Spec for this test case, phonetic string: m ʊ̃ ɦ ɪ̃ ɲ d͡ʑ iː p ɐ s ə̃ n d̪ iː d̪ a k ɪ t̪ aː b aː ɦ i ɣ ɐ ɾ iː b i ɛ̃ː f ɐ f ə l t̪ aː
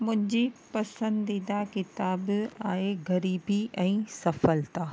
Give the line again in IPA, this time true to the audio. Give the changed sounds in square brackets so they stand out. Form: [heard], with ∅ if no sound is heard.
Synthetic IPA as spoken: m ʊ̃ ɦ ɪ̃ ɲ d͡ʑ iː p ɐ s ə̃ n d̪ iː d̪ a k ɪ t̪ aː b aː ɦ [e] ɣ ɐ ɾ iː b i ɛ̃ː [s] ɐ f ə l t̪ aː